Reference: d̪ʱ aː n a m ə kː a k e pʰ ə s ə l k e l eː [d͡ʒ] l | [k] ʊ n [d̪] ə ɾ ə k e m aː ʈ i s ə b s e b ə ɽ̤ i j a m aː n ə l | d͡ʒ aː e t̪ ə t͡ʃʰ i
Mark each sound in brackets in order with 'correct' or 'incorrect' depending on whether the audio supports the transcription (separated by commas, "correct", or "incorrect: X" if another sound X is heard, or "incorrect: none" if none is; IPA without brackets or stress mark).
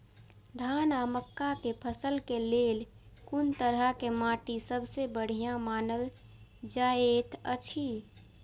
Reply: incorrect: none, correct, incorrect: t̪